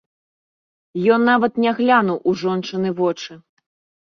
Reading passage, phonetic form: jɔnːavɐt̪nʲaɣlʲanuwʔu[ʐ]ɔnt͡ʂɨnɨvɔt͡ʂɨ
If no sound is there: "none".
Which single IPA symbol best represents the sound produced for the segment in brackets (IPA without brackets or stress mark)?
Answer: ʐ